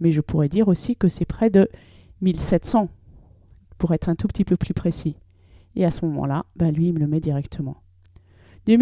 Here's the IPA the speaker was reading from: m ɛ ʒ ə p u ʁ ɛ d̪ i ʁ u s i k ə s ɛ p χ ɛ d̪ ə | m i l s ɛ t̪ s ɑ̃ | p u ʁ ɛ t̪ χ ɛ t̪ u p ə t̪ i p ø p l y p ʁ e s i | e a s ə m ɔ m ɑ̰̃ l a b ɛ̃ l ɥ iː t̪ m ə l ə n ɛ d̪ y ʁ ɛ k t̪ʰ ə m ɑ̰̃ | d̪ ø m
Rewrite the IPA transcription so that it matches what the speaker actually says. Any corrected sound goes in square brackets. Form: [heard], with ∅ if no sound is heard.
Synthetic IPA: m ɛ ʒ ə p u ʁ ɛ d̪ i ʁ [o] s i k ə s ɛ p χ ɛ d̪ ə | m i l s ɛ t̪ s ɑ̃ | p u ʁ ɛ t̪ χ [ɛ̃] t̪ u p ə t̪ i p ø p l y p [χ] e s i | e a s ə m ɔ m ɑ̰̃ l a b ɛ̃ l ɥ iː [∅] m ə l ə [m] ɛ d̪ [i] ʁ ɛ k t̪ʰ ə m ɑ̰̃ | d̪ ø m